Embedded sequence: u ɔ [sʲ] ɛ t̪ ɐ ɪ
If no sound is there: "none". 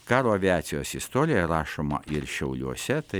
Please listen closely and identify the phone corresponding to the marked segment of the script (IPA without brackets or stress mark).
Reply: sʲ